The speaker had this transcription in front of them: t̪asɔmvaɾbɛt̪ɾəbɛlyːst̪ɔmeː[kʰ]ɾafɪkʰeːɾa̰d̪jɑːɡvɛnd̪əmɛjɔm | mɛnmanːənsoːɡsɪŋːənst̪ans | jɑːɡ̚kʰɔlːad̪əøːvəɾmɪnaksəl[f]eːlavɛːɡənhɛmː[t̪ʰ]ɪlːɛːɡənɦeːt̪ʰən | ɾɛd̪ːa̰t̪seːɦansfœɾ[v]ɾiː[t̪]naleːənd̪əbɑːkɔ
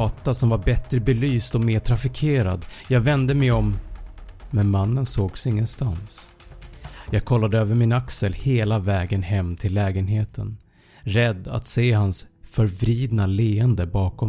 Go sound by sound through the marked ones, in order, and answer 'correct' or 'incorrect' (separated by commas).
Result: incorrect, incorrect, correct, correct, incorrect